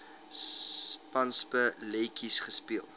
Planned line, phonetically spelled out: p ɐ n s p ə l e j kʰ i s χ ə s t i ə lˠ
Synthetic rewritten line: p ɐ n s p ə l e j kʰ i s χ ə s p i ə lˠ